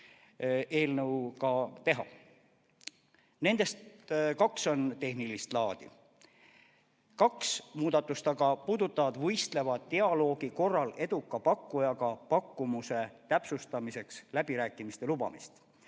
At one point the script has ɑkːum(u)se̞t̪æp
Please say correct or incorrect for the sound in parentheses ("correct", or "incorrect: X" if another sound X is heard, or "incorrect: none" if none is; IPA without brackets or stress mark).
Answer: correct